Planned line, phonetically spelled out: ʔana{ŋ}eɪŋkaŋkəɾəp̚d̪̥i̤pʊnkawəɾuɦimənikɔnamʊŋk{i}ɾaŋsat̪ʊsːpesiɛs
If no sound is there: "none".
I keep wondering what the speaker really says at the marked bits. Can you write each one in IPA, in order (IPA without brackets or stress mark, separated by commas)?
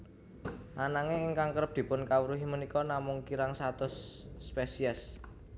ŋ, i